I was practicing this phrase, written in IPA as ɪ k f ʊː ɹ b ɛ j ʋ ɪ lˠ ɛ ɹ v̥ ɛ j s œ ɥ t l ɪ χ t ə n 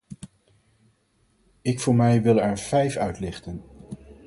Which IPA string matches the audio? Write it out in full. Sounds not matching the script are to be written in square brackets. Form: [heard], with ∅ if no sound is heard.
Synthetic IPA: ɪ k f ʊː ɹ [m] ɛ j ʋ ɪ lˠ ɛ ɹ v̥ ɛ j [f] œ ɥ t l ɪ χ t ə n

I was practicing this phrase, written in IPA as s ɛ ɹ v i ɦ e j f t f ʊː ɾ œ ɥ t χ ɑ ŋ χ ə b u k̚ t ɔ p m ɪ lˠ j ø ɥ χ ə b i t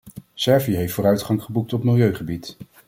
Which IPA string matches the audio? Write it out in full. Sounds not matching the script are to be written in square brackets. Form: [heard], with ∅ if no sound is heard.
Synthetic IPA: s ɛ ɹ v i ɦ e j f t f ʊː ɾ œ ɥ t χ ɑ ŋ χ ə b u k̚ t ɔ p m ɪ lˠ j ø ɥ χ ə b i t

